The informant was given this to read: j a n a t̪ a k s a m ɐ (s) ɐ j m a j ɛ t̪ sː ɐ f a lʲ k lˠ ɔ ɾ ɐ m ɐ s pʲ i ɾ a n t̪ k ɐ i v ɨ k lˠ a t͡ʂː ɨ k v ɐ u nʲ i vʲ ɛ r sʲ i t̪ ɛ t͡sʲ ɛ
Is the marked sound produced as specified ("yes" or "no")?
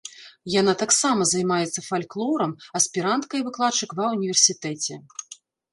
no